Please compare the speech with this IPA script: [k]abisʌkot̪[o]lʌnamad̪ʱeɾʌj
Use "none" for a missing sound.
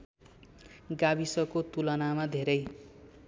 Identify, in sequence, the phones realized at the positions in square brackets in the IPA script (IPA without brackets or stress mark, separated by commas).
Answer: ɡ, u